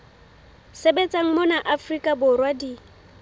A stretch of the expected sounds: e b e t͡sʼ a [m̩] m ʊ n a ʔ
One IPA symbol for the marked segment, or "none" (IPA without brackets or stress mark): ŋ̩